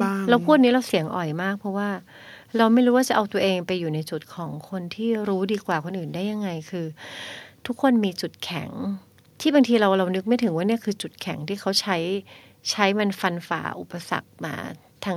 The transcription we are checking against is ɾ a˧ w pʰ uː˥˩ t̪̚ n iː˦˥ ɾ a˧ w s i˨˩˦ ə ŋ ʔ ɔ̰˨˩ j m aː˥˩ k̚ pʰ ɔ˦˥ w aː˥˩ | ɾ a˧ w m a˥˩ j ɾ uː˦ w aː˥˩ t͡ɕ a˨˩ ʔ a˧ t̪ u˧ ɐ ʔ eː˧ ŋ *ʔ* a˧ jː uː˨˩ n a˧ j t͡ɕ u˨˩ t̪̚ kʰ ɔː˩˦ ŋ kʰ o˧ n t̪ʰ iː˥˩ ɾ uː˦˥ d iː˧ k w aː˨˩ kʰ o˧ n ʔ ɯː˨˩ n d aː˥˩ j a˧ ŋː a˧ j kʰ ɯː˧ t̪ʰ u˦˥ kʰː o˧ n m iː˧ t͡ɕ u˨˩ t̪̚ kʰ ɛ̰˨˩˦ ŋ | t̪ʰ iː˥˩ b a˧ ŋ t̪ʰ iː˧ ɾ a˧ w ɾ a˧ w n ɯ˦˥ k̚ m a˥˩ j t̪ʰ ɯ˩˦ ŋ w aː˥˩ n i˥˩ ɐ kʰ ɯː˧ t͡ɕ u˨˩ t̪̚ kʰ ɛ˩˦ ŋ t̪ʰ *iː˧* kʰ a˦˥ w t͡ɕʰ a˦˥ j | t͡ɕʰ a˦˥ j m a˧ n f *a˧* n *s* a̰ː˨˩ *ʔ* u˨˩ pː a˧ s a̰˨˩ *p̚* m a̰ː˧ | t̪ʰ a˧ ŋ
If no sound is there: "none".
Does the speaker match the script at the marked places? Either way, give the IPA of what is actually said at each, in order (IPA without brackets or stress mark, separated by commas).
p, iː˥˩, a˧, f, ʔ, k̚